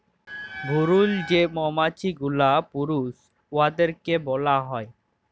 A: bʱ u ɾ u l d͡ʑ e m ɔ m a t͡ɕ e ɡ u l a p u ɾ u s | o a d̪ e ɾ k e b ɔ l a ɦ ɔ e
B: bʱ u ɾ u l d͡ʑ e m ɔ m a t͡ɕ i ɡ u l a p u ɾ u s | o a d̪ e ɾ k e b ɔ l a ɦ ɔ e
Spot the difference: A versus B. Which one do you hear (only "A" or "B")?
B